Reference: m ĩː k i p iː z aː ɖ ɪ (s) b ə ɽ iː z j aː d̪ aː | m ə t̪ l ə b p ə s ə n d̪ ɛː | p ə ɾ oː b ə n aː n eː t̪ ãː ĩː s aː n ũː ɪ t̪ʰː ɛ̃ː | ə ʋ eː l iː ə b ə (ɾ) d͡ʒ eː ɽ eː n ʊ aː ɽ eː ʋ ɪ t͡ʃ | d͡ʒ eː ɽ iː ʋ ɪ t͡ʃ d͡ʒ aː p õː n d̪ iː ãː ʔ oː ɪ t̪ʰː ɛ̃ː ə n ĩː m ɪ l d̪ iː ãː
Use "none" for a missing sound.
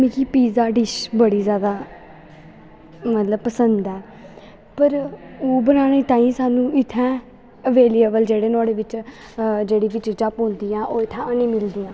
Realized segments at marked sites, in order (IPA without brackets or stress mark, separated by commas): ʃ, l